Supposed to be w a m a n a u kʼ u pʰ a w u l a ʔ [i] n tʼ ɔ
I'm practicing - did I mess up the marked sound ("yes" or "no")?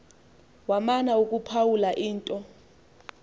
yes